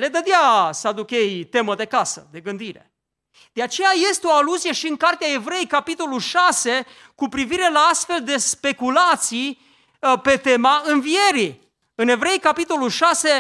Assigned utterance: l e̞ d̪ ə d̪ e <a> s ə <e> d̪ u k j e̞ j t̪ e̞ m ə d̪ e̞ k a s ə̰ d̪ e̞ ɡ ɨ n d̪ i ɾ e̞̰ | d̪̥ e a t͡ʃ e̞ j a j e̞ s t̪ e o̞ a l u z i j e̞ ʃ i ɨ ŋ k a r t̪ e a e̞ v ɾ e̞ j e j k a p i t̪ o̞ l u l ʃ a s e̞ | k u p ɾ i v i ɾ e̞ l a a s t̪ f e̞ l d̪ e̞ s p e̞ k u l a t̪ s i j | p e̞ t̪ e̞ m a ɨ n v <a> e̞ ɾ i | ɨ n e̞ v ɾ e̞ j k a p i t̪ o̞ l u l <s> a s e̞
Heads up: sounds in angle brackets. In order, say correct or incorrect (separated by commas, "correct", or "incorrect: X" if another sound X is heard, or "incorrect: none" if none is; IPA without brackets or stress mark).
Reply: correct, incorrect: a, incorrect: i, incorrect: ʃ